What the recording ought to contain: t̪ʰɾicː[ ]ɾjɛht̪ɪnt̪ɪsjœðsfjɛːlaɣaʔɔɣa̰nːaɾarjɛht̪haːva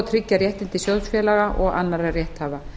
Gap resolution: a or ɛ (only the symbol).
a